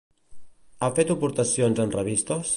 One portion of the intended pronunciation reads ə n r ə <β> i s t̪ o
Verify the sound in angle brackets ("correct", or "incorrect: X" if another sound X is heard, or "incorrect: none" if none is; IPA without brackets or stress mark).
correct